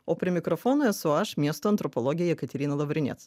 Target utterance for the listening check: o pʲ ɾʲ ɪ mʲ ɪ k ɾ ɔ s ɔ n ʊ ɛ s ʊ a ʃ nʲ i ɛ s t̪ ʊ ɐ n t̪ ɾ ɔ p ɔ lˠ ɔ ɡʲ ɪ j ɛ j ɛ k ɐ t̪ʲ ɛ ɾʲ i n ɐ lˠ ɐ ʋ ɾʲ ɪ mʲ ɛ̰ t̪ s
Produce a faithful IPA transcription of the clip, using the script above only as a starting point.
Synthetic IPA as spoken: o pʲ ɾʲ ɪ mʲ ɪ k ɾ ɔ f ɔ n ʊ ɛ s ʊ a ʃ mʲ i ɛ s t̪ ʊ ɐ n t̪ ɾ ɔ p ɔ lˠ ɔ ɡʲ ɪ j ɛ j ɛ k ɐ t̪ʲ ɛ ɾʲ i n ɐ lˠ ɐ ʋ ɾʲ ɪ nʲ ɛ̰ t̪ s